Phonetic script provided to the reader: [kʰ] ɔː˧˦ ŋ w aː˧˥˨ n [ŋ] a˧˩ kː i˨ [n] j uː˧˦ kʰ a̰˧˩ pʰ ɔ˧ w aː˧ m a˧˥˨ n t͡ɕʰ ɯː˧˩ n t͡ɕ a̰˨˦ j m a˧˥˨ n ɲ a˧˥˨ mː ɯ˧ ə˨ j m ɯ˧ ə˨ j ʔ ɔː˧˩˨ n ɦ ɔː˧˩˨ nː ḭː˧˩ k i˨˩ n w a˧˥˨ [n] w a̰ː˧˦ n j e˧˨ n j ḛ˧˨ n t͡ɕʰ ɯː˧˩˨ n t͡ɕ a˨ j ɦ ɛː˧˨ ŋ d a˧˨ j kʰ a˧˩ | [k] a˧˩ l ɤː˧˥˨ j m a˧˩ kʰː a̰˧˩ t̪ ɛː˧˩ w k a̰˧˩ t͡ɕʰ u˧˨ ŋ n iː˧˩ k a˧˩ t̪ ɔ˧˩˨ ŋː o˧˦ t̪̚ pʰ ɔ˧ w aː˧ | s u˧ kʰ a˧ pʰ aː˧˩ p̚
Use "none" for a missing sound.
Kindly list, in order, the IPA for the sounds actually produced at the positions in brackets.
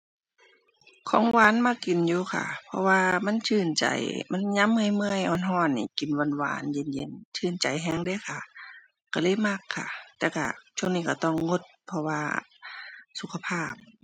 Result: kʰ, m, n, n, k

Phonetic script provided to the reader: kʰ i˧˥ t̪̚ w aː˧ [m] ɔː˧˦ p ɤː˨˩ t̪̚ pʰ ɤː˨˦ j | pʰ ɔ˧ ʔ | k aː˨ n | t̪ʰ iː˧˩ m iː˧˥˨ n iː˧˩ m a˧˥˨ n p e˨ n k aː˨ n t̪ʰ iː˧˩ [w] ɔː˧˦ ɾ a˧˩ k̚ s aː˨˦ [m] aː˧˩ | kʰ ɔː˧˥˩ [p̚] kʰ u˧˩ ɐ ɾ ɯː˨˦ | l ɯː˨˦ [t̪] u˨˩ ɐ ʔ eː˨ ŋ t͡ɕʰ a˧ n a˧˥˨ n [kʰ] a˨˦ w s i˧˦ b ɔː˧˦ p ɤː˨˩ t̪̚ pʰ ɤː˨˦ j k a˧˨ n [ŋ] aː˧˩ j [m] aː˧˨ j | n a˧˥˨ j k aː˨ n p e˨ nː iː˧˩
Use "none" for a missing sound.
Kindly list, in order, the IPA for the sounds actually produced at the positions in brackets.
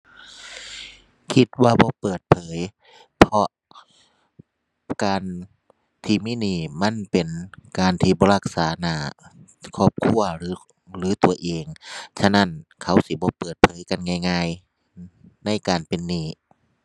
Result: b, b, n, p̚, t̪, kʰ, ŋ, ŋ

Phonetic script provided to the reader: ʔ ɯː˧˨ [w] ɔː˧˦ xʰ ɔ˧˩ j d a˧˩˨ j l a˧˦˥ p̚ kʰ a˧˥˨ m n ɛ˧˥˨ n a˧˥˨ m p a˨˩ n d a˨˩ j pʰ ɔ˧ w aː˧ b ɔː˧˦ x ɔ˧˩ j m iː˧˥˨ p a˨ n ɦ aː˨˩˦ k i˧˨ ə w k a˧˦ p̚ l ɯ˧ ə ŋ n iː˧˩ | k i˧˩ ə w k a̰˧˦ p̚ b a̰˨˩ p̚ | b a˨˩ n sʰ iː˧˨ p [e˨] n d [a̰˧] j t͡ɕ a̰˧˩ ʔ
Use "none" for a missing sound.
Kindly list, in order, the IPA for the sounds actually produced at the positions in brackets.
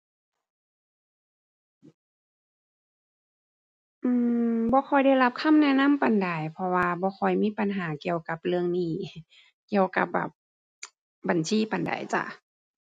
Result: b, a˨, a̰˨˩

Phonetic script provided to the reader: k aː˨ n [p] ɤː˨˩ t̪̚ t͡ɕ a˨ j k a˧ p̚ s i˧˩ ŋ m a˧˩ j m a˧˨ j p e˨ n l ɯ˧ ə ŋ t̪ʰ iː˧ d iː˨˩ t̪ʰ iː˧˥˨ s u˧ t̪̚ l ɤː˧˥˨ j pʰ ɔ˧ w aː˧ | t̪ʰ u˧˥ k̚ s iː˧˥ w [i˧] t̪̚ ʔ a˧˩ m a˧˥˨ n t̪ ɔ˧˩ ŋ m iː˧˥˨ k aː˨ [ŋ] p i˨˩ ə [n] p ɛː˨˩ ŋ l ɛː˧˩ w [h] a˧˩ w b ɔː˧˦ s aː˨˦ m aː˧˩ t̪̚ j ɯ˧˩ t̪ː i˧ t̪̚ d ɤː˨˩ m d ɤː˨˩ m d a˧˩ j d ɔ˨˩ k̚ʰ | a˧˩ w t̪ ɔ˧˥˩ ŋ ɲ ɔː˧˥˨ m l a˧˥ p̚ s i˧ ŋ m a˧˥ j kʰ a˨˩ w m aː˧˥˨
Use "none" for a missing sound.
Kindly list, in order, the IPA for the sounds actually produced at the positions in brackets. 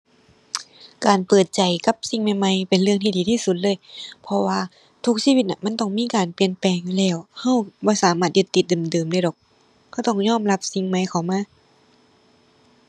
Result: p, i˧, n, n, h

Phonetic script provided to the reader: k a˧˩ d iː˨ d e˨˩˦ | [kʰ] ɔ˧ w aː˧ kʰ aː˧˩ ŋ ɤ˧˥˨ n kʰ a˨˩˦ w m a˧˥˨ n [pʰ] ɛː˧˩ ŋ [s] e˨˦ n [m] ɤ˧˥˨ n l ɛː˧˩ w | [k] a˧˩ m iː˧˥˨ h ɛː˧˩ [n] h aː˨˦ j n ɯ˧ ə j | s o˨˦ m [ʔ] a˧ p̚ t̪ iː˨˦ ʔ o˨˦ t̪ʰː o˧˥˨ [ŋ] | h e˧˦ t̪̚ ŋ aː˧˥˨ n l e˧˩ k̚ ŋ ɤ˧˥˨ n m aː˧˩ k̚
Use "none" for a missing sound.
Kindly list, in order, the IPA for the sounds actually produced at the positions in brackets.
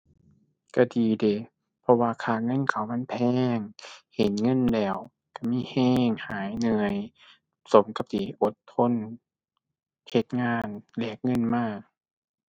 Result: pʰ, pʰ, h, ŋ, k, ŋ, k, n

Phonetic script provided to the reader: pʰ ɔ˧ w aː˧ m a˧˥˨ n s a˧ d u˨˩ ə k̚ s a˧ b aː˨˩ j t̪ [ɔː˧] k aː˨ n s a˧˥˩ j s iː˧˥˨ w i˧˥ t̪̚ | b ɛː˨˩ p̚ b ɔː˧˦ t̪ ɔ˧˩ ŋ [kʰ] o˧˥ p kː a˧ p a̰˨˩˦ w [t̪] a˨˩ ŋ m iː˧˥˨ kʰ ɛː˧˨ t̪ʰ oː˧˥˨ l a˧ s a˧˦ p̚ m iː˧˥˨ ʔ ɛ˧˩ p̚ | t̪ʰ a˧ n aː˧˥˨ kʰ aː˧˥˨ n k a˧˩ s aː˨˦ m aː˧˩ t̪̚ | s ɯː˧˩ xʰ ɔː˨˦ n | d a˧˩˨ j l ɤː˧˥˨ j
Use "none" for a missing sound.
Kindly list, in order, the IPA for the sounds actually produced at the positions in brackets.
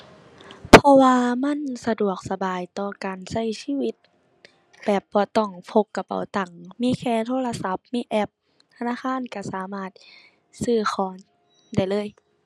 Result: ɔː˧, pʰ, t̪

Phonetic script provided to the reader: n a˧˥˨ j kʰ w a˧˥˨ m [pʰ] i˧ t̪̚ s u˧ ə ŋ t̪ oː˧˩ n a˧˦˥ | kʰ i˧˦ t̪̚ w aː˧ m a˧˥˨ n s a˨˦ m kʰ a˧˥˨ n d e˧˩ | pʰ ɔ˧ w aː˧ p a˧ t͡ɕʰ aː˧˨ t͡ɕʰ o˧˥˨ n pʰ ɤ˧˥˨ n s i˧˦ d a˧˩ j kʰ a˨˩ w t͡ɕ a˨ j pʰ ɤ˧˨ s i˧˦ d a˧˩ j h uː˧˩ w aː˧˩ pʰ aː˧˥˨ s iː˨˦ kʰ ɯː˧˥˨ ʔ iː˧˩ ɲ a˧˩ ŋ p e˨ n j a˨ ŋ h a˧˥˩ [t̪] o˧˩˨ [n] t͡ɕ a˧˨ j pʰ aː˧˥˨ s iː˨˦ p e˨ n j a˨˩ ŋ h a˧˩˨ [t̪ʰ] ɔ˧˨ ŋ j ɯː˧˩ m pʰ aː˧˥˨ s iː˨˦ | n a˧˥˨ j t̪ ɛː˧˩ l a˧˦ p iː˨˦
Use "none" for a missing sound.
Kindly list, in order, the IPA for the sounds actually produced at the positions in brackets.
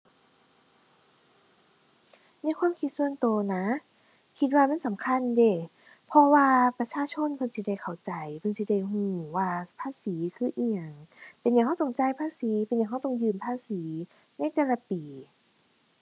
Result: kʰ, t̪, ŋ, t̪

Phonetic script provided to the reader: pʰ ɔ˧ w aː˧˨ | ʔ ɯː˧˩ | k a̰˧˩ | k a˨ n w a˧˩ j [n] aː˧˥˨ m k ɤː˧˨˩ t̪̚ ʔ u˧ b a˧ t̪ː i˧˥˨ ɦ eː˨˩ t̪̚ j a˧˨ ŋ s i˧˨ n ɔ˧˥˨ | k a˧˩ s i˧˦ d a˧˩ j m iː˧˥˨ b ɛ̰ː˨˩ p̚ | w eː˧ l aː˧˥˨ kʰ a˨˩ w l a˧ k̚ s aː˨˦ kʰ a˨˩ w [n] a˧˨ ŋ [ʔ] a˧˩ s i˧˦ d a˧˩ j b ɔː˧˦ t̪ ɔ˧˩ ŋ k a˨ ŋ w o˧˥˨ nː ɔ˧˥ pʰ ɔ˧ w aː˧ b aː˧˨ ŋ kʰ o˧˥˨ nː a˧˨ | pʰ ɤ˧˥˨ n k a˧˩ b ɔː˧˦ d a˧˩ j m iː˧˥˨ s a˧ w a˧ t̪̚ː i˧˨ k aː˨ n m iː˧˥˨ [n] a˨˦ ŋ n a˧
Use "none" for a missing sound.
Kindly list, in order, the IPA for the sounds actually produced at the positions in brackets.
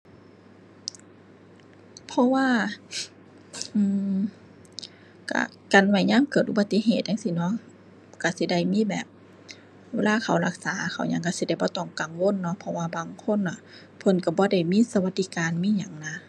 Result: ɲ, ɲ, k, ɲ

